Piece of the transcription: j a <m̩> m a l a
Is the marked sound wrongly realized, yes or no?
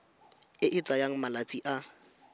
yes